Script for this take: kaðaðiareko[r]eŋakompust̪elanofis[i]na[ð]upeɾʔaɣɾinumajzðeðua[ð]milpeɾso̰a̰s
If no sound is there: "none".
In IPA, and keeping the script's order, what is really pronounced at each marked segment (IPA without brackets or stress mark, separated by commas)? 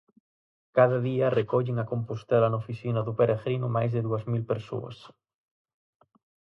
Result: ʎ, i, ð, z